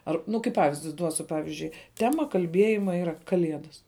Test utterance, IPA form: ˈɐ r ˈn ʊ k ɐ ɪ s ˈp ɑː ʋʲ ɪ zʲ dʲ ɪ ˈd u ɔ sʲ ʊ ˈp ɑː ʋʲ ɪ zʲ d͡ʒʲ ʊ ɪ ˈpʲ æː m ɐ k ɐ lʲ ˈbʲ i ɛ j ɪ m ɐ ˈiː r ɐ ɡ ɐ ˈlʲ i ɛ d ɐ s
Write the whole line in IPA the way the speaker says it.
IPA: ˈɐ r ˈn ʊ k ɐ ɪ ˈp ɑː ʋʲ ɪ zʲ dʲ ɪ ˈd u ɔ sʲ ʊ ˈp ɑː ʋʲ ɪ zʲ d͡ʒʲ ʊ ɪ ˈtʲ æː m ɐ k ɐ lʲ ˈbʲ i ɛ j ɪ m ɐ ˈiː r ɐ k ɐ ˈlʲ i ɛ d ɐ s

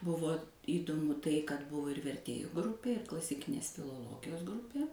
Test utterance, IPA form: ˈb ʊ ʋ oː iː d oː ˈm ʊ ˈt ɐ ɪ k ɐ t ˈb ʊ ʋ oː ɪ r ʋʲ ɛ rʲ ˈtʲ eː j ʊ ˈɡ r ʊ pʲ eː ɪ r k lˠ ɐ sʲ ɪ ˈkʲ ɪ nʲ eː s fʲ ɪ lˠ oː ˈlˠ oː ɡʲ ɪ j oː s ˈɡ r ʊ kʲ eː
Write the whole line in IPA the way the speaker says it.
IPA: ˈb ʊ ʋ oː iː d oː ˈm ʊ ˈt ɐ ɪ k ɐ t ˈb ʊ ʋ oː ɪ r ʋʲ ɛ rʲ ˈtʲ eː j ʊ ˈɡ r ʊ pʲ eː ɪ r k lˠ ɐ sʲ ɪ ˈkʲ ɪ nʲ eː s fʲ ɪ lˠ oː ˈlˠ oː ɡʲ ɪ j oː s ˈɡ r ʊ pʲ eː

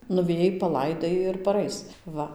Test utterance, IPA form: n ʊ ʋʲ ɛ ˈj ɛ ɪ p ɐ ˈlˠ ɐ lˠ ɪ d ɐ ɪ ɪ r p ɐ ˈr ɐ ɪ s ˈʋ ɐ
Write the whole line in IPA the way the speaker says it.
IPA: n ʊ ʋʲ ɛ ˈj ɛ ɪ p ɐ ˈlˠ ɐ ɪ d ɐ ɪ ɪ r p ɐ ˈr ɐ ɪ s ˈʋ ɐ

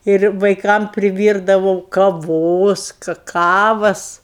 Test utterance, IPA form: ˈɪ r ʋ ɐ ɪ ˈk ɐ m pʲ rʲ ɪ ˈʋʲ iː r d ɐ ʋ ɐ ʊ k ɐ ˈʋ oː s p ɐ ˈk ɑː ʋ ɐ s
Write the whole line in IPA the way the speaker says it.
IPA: ˈɪ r ʋ ɐ ɪ ˈk ɐ m pʲ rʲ ɪ ˈʋʲ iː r d ɐ ʋ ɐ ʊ k ɐ ˈʋ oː s k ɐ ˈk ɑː ʋ ɐ s

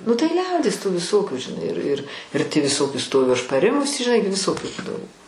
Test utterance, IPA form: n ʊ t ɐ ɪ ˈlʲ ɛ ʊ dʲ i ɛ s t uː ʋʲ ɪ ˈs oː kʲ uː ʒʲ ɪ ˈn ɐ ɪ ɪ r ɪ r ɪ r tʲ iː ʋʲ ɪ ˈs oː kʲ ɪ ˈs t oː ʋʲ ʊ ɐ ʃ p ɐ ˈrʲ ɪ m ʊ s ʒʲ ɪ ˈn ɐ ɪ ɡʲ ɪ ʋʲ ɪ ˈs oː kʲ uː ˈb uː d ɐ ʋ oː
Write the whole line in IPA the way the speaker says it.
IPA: n ʊ t ɐ ɪ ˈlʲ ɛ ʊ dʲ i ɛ s t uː ʋʲ ɪ ˈs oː kʲ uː ʒʲ ɪ ˈn ɐ ɪ ɪ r ɪ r ɪ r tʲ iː ʋʲ ɪ ˈs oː kʲ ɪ ˈs t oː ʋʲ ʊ ɐ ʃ p ɐ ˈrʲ ɪ m ʊ s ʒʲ ɪ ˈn ɐ ɪ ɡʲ ɪ ʋʲ ɪ ˈs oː kʲ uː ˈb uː d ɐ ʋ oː

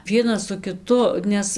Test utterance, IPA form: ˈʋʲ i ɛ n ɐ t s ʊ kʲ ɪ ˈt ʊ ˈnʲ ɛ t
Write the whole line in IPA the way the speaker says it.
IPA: ˈʋʲ i ɛ n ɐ s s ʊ kʲ ɪ ˈt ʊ ˈnʲ ɛ s

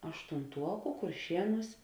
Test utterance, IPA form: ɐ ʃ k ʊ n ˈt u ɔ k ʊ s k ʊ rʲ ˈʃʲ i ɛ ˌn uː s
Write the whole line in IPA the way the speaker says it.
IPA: ɐ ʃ t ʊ n ˈt u ɔ k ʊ k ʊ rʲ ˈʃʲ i ɛ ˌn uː s

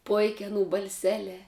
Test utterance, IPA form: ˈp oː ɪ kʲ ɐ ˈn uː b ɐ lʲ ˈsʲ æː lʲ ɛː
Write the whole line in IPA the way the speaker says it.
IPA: ˈp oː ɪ kʲ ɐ ˈn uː b ɐ lʲ ˈsʲ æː lʲ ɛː

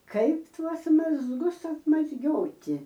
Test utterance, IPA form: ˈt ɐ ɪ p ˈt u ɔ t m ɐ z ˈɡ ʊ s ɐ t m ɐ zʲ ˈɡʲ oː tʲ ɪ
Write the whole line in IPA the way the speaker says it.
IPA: ˈk ɐ ɪ p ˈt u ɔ s m ɐ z ˈɡ ʊ s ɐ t m ɐ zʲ ˈɡʲ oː tʲ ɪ

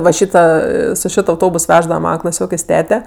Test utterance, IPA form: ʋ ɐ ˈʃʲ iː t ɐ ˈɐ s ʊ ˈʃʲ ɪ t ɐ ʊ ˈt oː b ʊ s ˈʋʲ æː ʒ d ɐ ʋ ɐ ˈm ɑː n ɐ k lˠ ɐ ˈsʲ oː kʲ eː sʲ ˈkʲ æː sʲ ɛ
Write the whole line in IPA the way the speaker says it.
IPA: ʋ ɐ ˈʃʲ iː t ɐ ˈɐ s ʊ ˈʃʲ ɪ t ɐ ʊ ˈt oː b ʊ s ˈʋʲ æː ʒ d ɐ ʋ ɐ ˈm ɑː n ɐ k lˠ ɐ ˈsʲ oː kʲ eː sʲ ˈtʲ æː tʲ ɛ

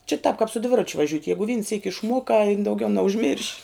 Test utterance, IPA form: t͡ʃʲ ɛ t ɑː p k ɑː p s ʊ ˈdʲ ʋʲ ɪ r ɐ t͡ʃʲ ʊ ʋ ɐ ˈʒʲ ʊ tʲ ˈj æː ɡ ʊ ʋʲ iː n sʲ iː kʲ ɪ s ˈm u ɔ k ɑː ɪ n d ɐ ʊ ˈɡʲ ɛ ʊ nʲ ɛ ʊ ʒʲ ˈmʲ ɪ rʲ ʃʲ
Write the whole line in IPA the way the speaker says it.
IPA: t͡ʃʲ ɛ t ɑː p k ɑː p s ʊ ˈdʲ ʋʲ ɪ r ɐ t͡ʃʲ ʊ ʋ ɐ ˈʒʲ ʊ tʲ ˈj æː ɡ ʊ ʋʲ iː n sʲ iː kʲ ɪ ʃ ˈm u ɔ k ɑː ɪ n d ɐ ʊ ˈɡʲ ɛ ʊ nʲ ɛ ʊ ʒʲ ˈmʲ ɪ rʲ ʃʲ

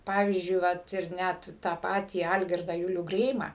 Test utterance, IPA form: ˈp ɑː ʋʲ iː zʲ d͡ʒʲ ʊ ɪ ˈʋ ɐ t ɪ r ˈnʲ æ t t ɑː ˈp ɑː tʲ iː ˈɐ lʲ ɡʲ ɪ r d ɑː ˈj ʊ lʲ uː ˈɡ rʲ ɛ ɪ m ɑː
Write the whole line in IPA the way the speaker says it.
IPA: ˈp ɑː ʋʲ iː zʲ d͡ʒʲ ʊ ɪ ˈʋ ɐ t ɪ r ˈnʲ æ t t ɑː ˈp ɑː tʲ iː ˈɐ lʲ ɡʲ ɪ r d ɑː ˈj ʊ lʲ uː ˈɡ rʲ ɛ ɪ m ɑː

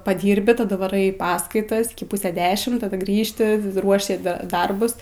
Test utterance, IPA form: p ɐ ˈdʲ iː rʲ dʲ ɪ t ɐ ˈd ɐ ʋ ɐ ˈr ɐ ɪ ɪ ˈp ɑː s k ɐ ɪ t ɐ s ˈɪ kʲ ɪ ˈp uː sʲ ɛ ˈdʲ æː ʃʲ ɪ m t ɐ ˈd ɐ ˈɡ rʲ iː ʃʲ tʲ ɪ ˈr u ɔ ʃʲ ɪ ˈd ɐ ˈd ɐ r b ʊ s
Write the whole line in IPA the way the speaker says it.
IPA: p ɐ ˈdʲ iː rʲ bʲ ɪ t ɐ ˈd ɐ ʋ ɐ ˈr ɐ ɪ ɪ ˈp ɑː s k ɐ ɪ t ɐ s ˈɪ kʲ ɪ ˈp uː sʲ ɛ ˈdʲ æː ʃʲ ɪ m t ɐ ˈd ɐ ˈɡ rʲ iː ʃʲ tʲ ɪ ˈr u ɔ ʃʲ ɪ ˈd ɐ ˈd ɐ r b ʊ s

